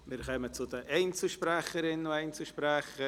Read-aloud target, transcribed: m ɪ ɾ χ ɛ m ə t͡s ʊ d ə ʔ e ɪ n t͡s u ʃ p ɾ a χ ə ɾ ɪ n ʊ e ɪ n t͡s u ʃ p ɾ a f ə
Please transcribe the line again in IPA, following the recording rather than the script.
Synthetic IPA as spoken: m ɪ ɾ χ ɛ m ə t͡s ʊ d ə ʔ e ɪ n t͡s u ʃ p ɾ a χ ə ɾ ɪ n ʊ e ɪ n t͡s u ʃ p ɾ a χ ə